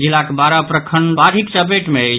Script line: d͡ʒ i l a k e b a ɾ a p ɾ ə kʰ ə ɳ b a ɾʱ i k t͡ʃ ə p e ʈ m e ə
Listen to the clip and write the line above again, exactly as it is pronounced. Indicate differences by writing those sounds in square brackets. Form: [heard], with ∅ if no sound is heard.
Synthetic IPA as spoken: d͡ʒ i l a k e b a ɾ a p ɾ ə kʰ ə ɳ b a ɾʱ i k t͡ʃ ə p e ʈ m e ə